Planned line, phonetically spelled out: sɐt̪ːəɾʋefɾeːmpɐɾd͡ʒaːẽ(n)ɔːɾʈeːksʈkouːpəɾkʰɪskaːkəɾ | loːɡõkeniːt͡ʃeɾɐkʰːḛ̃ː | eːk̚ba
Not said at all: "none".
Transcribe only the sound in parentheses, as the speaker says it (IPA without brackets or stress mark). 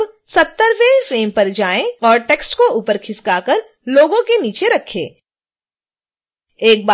none